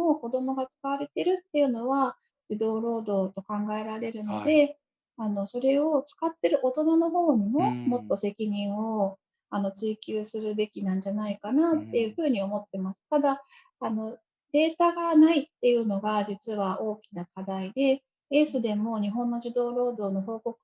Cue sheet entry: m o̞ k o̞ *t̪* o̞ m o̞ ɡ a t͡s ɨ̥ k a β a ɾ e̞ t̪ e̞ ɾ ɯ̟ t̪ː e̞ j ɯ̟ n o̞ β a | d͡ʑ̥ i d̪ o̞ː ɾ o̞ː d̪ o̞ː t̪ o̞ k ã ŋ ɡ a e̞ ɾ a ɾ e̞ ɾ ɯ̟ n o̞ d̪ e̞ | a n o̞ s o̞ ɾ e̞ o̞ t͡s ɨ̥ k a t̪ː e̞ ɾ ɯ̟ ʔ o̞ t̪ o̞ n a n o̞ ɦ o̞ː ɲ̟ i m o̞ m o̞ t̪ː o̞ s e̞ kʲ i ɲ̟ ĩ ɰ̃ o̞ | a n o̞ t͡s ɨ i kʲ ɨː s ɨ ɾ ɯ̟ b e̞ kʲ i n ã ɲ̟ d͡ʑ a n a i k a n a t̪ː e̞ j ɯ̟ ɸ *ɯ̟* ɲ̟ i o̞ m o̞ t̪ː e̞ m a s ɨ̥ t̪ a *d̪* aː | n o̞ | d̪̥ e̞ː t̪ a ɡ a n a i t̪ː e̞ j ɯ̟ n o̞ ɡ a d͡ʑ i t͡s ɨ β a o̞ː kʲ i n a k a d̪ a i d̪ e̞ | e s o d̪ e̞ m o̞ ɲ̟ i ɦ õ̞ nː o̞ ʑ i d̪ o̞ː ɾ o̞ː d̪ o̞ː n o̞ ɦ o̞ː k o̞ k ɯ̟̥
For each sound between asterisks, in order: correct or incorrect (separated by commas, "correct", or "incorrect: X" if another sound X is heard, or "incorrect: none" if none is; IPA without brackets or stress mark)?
incorrect: d̪, incorrect: ɯ̟ː, correct